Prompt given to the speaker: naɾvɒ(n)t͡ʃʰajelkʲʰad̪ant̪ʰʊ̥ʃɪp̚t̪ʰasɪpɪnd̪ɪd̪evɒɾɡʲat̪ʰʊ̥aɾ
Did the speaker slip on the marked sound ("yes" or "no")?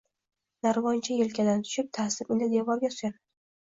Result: no